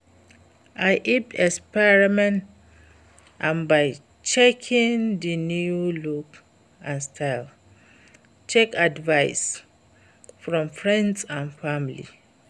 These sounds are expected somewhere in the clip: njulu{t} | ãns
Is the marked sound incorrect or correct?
incorrect